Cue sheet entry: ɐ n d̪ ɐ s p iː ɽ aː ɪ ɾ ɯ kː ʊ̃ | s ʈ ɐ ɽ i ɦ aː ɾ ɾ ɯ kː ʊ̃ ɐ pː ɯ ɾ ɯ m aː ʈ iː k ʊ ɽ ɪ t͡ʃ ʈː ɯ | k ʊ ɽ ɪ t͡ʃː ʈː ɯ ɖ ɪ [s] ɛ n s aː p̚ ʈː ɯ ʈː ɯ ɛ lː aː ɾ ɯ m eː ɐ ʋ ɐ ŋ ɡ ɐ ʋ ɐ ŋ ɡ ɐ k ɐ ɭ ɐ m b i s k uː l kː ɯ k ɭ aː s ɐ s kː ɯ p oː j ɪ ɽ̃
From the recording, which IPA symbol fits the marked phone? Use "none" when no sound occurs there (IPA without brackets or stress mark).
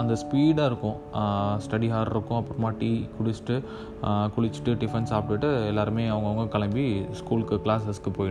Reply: f